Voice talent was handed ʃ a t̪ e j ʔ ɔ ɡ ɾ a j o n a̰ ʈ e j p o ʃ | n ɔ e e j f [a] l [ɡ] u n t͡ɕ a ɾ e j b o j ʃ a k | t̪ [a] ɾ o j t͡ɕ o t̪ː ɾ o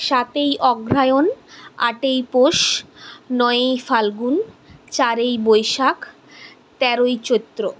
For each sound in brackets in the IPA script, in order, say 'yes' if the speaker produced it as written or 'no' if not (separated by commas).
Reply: yes, yes, no